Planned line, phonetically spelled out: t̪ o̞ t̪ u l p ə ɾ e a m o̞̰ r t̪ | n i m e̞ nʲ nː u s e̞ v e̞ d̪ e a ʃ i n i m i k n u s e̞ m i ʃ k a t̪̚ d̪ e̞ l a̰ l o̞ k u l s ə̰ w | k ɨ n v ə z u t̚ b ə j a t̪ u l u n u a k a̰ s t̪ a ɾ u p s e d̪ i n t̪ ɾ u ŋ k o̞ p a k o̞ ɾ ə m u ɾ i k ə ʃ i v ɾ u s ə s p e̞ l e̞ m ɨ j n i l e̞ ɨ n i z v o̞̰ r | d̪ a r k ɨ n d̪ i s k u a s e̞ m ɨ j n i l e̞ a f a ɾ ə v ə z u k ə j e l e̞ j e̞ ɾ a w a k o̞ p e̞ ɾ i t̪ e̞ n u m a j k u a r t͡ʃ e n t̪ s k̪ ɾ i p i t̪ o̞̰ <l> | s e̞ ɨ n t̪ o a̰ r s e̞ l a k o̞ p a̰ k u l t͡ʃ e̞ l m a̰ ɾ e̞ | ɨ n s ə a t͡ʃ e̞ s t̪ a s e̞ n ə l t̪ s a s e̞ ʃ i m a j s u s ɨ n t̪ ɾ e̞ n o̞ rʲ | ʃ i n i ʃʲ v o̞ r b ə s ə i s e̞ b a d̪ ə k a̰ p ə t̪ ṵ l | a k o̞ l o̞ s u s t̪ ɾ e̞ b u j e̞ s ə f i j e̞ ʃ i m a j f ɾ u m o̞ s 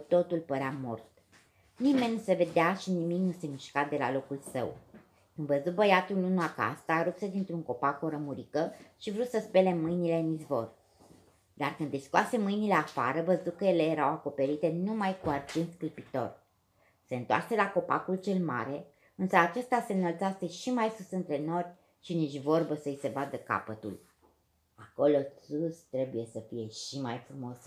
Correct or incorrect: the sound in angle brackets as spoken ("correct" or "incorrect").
incorrect